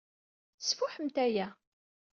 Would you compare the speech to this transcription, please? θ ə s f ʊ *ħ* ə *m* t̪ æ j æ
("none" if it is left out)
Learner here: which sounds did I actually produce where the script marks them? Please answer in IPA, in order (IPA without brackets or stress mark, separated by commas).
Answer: ħ, m